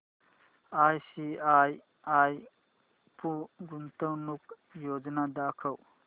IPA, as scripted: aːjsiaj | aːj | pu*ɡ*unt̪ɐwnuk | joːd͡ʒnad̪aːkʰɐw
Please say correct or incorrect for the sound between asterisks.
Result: correct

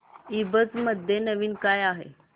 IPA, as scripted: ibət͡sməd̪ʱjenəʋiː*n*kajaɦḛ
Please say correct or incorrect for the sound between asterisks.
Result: correct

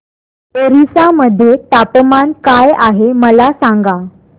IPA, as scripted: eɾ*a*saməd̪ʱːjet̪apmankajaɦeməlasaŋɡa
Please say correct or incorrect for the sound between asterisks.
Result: incorrect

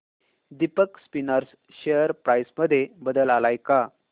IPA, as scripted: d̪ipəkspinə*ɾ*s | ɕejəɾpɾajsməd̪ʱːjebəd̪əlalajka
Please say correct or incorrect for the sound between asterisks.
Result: correct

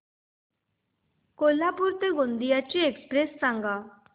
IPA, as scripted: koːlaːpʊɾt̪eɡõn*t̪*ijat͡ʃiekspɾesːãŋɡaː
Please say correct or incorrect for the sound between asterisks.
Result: incorrect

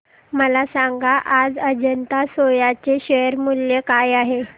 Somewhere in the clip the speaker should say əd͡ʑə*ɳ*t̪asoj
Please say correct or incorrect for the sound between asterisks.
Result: incorrect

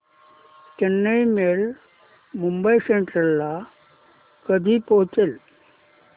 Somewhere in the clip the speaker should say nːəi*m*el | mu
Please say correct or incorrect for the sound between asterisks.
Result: correct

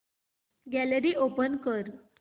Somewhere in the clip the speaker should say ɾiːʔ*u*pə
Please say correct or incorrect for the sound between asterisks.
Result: incorrect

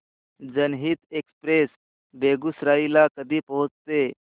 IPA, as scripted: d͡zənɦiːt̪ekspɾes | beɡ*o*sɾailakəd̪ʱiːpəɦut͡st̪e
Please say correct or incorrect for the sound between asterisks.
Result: incorrect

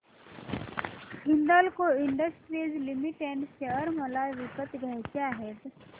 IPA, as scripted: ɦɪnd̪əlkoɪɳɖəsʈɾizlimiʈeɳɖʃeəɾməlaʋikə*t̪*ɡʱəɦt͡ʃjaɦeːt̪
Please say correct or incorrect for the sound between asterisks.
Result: correct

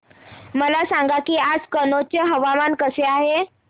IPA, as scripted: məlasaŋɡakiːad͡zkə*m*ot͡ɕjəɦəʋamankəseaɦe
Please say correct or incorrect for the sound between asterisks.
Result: incorrect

